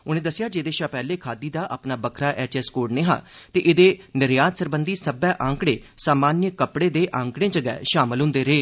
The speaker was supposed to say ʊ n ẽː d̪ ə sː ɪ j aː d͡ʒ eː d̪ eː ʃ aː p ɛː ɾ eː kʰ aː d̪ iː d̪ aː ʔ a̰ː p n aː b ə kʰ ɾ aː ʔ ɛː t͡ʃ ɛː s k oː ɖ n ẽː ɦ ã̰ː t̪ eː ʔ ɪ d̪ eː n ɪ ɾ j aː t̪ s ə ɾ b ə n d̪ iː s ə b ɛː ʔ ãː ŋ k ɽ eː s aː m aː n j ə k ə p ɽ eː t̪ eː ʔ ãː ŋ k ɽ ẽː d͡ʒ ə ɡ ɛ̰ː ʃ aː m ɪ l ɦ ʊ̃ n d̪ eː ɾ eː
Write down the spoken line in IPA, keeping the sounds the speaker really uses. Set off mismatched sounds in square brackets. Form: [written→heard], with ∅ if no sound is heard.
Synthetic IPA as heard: ʊ n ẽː d̪ ə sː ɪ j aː d͡ʒ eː d̪ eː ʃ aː p ɛː [ɾ→l] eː kʰ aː d̪ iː d̪ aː ʔ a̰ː p n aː b ə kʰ ɾ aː ʔ ɛː t͡ʃ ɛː s k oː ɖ n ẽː ɦ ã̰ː t̪ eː ʔ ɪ d̪ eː n ɪ ɾ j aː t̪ s ə ɾ b ə n d̪ iː s ə b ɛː ʔ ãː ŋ k ɽ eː s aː m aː n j ə k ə p ɽ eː [t̪→d̪] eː ʔ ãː ŋ k ɽ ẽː d͡ʒ ə ɡ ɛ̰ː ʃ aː m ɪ l ɦ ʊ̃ n d̪ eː ɾ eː

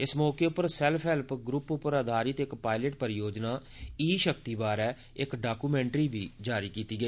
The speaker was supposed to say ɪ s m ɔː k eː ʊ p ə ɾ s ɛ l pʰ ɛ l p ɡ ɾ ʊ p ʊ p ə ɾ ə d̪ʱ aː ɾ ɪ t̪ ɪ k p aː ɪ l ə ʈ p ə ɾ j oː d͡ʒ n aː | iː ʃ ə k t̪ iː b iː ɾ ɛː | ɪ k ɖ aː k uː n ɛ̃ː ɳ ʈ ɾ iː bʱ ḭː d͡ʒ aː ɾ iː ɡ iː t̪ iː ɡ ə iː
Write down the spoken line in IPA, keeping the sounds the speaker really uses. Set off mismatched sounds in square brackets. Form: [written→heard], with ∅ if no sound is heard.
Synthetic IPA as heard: ɪ s m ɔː k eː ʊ p ə ɾ s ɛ l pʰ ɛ l p ɡ ɾ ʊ p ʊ p ə ɾ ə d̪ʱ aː ɾ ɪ t̪ ɪ k p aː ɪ l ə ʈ p ə ɾ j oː d͡ʒ n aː | iː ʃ ə k t̪ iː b [iː→aː] ɾ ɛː | ɪ k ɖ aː k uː [n→m] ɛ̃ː ɳ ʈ ɾ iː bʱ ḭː d͡ʒ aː ɾ iː [ɡ→k] iː t̪ iː ɡ ə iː

